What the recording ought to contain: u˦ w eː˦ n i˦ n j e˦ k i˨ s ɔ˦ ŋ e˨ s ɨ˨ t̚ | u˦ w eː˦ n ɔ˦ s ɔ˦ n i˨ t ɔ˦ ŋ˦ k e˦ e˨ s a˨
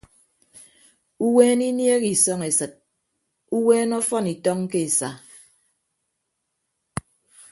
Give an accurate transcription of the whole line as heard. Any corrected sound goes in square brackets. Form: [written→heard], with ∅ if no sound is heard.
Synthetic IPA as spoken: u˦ w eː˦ n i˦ n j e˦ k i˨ s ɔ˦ ŋ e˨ s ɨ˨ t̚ | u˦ w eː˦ n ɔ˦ [s→f] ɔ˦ n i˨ t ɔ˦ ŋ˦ k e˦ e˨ s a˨